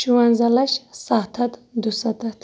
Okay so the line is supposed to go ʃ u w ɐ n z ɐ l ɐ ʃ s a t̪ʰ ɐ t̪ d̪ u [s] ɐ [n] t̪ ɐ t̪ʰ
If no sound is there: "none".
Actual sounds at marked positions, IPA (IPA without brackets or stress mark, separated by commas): s, none